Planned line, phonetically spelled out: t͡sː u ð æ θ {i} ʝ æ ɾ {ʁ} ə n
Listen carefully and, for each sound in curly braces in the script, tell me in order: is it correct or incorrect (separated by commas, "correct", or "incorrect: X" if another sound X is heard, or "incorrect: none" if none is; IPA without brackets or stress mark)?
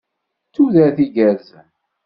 correct, incorrect: z